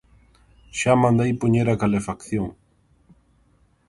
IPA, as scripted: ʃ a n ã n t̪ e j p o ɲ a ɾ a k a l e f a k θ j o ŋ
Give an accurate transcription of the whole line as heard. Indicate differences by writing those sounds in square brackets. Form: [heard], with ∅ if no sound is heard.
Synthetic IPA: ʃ a [m] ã n [d̪] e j p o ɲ [e] ɾ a k a l e f a k θ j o ŋ